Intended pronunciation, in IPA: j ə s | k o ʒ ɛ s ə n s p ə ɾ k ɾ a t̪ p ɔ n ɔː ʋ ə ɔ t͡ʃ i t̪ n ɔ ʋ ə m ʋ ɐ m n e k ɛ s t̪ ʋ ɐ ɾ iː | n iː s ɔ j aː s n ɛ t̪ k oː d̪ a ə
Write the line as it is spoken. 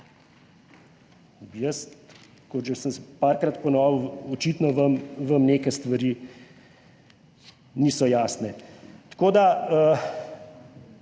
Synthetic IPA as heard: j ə s | k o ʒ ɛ s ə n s p a ɾ k ɾ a t̪ p ɔ n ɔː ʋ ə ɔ t͡ʃ i t̪ n ɔ ʋ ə m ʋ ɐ m n e k ɛ s t̪ ʋ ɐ ɾ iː | n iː s ɔ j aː s n ɛ t̪ k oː d̪ a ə

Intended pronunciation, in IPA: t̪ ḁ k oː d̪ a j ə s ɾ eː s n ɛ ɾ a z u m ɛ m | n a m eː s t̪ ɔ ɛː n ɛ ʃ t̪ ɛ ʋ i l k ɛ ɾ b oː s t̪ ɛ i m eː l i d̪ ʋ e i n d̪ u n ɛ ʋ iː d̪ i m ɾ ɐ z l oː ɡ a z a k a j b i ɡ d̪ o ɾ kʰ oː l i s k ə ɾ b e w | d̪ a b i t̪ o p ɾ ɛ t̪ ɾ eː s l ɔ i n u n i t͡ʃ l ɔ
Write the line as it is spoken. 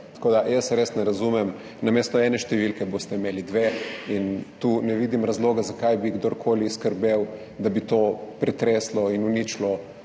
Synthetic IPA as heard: t̪ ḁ k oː d̪ a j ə s ɾ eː s n ɛ ɾ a z u m ɛ m | n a m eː s t̪ ɔ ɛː n ɛ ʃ t̪ ɛ ʋ i l k ɛ b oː s t̪ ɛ i m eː l i d̪ ʋ e i n t̪ u n ɛ ʋ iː d̪ i m ɾ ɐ z l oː ɡ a z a k a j b i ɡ d̪ o ɾ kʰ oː l i s k ə ɾ b e w | d̪ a b i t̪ o p ɾ ɛ t̪ ɾ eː s l ɔ i n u n i t͡ʃ l ɔ

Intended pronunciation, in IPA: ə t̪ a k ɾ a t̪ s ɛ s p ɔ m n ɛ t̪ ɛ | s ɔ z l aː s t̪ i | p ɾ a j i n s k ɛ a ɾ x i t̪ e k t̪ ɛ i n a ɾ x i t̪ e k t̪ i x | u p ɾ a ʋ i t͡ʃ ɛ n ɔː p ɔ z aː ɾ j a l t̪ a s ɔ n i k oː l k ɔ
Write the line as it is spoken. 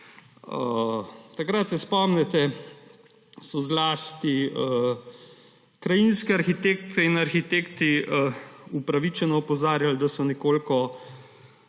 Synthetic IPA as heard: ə t̪ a k ɾ a t̪ s ɛ s p ɔ m n ɛ t̪ ɛ | s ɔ z l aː s t̪ i | k ɾ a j i n s k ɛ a ɾ x i t̪ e k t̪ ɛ i n a ɾ x i t̪ e k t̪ i | u p ɾ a ʋ i t͡ʃ ɛ n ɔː p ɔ z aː ɾ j a l d̪ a s ɔ n ɛ k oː l k ɔ

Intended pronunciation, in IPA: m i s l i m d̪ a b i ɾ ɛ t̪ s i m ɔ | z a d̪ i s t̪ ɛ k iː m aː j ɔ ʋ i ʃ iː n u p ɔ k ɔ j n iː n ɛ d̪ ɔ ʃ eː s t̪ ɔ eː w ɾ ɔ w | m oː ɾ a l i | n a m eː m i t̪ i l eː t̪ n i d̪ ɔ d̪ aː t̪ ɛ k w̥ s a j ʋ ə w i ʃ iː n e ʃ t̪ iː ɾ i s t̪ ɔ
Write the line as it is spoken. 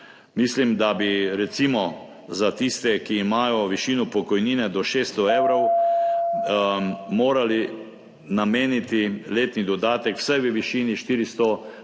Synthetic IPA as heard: m i s l i m d̪ a b i ɾ ɛ t̪ s i m ɔ | z a t̪ i s t̪ ɛ k iː m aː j ɔ ʋ i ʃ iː n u p ɔ k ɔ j n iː n ɛ d̪ ɔ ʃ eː s t̪ ɔ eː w ɾ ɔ w | m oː ɾ a l i | n a m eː n i t̪ i l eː t̪ n i d̪ ɔ d̪ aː t̪ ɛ k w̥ s a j ʋ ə ʋ i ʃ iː n i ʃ t̪ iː ɾ i s t̪ ɔ

